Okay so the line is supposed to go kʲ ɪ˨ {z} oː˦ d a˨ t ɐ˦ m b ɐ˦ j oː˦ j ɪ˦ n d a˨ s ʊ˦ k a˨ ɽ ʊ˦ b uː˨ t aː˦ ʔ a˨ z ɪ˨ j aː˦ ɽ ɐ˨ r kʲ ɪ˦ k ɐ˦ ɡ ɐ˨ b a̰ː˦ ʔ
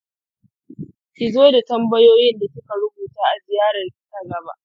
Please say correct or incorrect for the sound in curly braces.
correct